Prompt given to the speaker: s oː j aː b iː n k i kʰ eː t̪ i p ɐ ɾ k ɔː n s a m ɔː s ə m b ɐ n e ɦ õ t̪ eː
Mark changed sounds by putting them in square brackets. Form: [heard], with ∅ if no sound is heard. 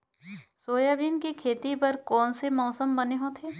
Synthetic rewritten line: s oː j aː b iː n k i kʰ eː t̪ i p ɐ ɾ k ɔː n s [e] m ɔː s ə m b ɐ n e ɦ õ [t̪ʰ] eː